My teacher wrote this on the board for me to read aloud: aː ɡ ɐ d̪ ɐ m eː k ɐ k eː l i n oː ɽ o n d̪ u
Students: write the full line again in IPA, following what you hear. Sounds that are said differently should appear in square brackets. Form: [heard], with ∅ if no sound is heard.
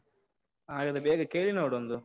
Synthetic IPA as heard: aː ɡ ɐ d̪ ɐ [b] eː [ɡ] ɐ k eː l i n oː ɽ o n d̪ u